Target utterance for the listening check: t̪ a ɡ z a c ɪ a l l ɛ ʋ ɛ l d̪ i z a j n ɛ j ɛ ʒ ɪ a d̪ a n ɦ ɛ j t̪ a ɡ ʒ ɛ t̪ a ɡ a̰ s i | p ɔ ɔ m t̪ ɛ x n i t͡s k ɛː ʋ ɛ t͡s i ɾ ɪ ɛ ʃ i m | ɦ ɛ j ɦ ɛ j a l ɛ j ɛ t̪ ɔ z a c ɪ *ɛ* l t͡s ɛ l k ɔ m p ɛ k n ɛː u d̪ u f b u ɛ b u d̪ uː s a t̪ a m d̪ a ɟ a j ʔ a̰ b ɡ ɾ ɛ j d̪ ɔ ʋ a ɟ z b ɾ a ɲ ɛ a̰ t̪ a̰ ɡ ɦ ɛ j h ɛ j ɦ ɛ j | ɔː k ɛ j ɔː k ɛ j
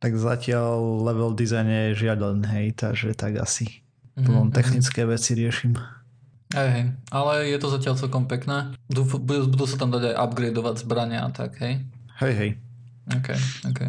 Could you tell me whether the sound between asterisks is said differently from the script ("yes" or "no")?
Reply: yes